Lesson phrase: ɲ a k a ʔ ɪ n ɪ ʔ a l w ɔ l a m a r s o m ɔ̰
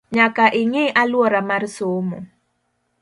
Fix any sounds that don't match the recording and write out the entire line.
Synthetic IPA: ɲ a k a ʔ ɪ ŋ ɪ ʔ a l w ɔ ɾ a m a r s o m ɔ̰